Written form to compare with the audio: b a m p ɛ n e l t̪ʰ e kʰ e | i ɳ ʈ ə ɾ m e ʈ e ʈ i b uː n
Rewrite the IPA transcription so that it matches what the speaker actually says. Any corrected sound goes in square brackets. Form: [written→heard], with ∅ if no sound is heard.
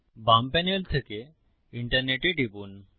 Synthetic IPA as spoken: b a m p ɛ n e l t̪ʰ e [kʰ→k] e | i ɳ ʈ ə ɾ [m→n] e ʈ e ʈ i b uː n